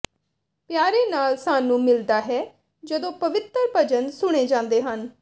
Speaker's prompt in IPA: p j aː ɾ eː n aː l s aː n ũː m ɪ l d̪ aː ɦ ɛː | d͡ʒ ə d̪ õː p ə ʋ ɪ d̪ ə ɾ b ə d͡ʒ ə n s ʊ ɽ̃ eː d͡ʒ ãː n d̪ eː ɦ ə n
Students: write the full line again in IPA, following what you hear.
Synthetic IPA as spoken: p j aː ɾ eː n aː l s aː n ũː m ɪ l d̪ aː ɦ ɛː | d͡ʒ ə d̪ õː p ə ʋ ɪ t̪ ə ɾ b ə d͡ʒ ə n s ʊ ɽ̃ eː d͡ʒ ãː n d̪ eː ɦ ə n